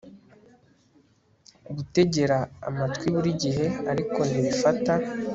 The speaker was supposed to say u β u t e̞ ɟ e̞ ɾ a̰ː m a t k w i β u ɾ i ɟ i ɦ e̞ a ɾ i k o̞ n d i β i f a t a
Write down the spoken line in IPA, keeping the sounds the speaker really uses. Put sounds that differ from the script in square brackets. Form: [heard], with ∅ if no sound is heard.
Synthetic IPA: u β u t e̞ ɟ e̞ ɾ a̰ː m a t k w i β u ɾ i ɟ i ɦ e̞ a ɾ i k o̞ n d i β i f a t a